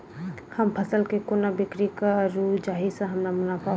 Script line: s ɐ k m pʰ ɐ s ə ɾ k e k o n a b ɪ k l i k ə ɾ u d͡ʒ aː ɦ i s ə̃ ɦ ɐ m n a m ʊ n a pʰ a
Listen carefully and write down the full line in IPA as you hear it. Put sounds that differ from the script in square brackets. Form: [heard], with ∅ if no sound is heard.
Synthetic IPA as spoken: [h] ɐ [∅] m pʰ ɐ s ə [l] k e k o n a b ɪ k [ɾ] i k [a] ɾ u d͡ʒ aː ɦ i s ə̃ ɦ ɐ m n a m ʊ n a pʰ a